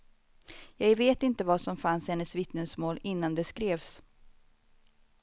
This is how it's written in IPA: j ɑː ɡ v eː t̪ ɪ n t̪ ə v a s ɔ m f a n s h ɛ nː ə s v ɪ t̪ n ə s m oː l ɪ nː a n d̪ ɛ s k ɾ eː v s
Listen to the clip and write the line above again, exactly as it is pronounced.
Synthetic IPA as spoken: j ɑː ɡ v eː t̪ ɪ n t̪ ə v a s ɔ m f a n s h ɛ nː ə s v ɪ t̪ n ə s m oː l ɪ nː a n d̪ ɛ s k ɾ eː v s